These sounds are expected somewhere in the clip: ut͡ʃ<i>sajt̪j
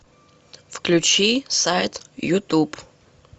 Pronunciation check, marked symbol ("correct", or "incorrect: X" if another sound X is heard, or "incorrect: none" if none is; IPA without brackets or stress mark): correct